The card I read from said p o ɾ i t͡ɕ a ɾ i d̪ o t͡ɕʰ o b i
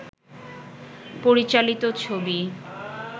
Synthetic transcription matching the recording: p o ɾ i t͡ɕ a l i t̪ o t͡ɕʰ o b i